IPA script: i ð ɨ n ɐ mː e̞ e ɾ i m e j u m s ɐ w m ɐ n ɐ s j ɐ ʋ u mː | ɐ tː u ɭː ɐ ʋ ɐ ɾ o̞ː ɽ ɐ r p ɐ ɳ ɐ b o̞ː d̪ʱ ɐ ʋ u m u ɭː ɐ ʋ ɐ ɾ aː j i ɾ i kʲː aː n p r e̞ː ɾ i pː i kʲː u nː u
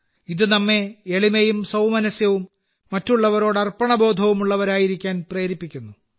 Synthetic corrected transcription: i ð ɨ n ɐ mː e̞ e ɭ i m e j u m s ɐ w m ɐ n ɐ s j ɐ ʋ u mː | ɐ tː u ɭː ɐ ʋ ɐ ɾ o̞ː ɽ ɐ r p ɐ ɳ ɐ b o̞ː d̪ʱ ɐ ʋ u m u ɭː ɐ ʋ ɐ ɾ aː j i ɾ i kʲː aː n p r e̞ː ɾ i pː i kʲː u nː u